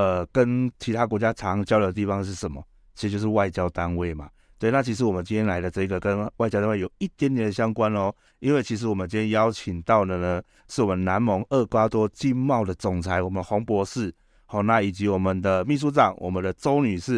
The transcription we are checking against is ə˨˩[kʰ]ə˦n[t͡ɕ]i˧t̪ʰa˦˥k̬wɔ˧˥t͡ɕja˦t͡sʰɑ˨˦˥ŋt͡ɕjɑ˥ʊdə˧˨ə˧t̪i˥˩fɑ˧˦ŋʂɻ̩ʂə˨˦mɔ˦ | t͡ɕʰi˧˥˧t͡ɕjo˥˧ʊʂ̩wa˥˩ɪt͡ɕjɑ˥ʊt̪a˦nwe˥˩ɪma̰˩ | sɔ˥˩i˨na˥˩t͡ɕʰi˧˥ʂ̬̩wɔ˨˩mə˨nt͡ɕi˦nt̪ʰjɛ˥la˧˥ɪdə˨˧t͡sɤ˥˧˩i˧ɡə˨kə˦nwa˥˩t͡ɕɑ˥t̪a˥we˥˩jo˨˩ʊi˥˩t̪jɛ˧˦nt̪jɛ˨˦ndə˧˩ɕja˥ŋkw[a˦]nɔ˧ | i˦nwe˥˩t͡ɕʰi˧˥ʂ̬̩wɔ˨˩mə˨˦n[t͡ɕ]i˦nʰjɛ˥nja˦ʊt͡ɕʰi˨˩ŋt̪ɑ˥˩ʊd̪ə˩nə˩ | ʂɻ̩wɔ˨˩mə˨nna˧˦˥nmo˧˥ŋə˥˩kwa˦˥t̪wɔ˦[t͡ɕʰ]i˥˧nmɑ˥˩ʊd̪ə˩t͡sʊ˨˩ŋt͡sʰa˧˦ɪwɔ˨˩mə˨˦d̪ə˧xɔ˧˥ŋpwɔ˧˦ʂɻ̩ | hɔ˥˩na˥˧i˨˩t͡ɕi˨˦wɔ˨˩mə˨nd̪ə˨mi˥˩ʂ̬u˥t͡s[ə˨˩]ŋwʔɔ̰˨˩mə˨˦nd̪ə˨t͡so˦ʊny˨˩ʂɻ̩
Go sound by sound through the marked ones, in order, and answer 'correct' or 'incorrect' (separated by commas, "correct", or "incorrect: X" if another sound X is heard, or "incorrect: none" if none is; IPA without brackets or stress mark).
incorrect: k, incorrect: t͡ɕʰ, correct, correct, incorrect: t͡ɕ, incorrect: ɑ˨˩